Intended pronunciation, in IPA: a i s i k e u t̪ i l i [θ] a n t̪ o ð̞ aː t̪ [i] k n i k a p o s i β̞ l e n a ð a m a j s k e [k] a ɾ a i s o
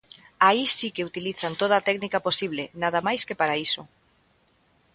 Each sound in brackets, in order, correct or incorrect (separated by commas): correct, incorrect, incorrect